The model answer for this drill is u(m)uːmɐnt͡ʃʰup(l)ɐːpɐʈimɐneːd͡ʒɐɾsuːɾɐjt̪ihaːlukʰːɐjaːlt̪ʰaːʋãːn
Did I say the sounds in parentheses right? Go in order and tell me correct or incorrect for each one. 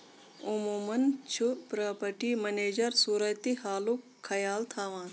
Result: correct, incorrect: ɾ

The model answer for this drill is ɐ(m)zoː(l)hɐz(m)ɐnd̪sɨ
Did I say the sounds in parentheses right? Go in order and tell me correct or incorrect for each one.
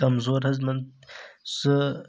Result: correct, incorrect: ɾ, correct

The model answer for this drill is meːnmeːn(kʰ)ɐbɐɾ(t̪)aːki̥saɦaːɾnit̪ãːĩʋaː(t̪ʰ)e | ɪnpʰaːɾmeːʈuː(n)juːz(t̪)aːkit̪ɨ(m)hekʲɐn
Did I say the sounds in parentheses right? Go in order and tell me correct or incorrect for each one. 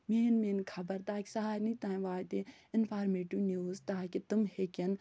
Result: correct, correct, incorrect: t̪, correct, correct, correct

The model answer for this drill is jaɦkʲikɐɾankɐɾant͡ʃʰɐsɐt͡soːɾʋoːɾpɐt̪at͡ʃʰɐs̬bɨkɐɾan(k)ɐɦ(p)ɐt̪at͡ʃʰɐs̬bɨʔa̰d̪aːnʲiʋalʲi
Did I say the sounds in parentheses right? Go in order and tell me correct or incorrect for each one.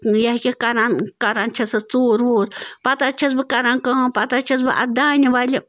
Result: correct, correct

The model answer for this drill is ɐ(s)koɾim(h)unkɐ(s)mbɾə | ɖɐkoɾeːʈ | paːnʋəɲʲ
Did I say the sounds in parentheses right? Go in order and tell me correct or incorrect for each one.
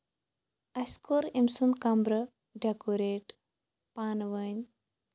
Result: correct, incorrect: s, incorrect: none

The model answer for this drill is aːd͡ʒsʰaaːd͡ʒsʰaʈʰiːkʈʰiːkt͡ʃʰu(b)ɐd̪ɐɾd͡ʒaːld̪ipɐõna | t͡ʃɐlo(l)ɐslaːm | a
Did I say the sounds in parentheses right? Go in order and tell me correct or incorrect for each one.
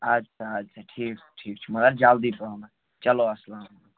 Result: incorrect: m, incorrect: none

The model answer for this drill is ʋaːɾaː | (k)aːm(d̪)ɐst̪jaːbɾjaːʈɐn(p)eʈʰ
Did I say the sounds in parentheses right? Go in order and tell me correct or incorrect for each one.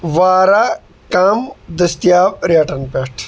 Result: correct, correct, correct

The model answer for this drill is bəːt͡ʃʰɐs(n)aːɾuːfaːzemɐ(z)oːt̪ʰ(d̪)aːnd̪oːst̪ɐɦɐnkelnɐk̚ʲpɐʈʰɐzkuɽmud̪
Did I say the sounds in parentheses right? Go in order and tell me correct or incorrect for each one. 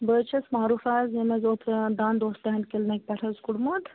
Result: incorrect: m, correct, correct

